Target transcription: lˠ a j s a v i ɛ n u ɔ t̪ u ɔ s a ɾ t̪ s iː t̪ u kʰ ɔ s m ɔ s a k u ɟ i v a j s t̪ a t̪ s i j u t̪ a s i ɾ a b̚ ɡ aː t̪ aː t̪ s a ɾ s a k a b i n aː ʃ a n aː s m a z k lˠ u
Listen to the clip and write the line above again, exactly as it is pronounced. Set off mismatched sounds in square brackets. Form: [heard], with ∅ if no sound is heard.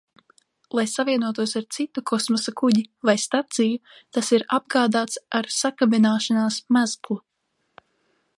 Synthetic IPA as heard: lˠ a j s a v i ɛ n u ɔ t̪ u ɔ s a ɾ t̪ s [i] t̪ u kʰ ɔ s m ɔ s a k u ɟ i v a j s t̪ a t̪ s i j u t̪ a s i ɾ a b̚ ɡ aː [d̪] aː t̪ s a ɾ s a k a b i n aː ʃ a n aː s m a z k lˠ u